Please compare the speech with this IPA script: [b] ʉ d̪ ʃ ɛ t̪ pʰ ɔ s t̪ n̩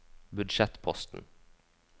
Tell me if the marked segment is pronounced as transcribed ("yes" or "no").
yes